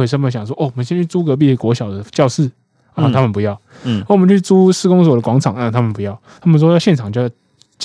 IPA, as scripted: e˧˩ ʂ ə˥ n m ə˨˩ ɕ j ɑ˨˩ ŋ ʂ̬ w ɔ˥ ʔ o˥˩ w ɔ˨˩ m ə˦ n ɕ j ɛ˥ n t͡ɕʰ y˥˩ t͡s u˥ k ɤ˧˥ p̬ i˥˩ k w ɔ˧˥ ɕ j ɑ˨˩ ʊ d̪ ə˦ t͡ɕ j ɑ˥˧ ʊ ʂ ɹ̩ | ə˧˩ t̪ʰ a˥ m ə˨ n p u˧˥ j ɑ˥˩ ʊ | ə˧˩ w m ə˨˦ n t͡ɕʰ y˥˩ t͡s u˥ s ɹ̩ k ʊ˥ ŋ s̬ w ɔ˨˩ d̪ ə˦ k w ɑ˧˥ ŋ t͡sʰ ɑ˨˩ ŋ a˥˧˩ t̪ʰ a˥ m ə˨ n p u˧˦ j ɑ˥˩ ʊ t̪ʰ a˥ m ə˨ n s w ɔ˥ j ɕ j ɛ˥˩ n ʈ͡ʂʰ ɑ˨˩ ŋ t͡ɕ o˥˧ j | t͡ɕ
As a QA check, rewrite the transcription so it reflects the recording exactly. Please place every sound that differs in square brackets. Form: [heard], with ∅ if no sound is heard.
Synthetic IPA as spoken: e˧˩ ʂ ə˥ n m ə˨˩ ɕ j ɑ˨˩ ŋ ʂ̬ w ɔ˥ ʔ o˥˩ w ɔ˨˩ m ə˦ n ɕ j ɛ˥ n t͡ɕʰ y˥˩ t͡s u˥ k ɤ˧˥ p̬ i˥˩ k w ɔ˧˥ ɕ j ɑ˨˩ ʊ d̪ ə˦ t͡ɕ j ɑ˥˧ ʊ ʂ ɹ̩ | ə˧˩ t̪ʰ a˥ m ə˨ n p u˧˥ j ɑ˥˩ ʊ | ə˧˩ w m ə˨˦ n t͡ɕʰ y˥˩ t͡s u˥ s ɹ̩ k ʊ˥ ŋ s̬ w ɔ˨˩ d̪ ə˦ k w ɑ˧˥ ŋ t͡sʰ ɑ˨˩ ŋ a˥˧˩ t̪ʰ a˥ m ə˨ n p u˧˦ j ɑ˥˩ ʊ t̪ʰ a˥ m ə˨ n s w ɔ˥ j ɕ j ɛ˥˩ n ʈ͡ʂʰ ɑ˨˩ ŋ t͡ɕ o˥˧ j | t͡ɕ